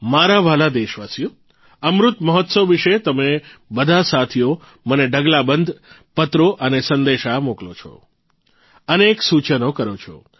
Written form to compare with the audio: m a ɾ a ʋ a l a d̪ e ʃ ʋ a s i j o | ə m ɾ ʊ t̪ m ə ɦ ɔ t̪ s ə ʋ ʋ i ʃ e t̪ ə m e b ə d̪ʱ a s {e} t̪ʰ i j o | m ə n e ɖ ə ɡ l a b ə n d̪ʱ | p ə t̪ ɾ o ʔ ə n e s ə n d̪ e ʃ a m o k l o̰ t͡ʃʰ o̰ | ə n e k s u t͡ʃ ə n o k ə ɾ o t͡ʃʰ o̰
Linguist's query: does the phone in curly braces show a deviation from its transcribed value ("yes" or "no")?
yes